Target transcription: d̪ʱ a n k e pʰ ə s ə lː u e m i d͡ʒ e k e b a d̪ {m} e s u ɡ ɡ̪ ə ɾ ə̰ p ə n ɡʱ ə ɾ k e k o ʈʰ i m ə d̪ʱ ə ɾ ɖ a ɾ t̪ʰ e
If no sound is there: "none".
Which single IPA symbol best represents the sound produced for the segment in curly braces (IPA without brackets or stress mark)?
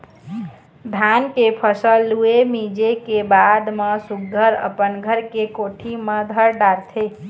m